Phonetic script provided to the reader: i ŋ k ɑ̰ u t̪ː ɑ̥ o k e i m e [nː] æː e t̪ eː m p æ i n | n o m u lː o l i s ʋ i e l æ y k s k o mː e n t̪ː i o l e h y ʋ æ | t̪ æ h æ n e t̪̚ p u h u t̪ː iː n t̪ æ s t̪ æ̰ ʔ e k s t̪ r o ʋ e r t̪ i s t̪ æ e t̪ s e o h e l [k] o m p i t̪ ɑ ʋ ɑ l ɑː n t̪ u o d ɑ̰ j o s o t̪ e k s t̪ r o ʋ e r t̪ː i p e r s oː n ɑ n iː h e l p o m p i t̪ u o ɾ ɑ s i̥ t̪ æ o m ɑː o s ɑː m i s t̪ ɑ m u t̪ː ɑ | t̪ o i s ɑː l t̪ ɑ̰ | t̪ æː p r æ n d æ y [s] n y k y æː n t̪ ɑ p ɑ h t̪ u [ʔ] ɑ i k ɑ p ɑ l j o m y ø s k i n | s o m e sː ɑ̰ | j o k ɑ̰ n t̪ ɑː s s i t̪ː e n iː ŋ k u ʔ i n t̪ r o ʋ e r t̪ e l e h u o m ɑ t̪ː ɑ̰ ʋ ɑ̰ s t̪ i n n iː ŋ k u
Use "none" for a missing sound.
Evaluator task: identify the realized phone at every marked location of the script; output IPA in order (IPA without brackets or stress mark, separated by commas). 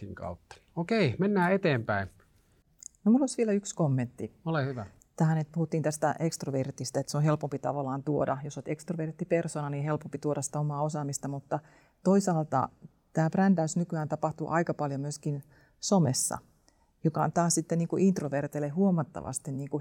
nː, p, s, ʔ